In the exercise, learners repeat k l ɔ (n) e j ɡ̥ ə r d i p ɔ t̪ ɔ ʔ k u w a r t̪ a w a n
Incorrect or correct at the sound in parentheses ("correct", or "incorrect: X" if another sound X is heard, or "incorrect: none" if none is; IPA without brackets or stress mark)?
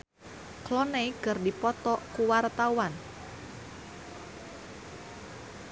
correct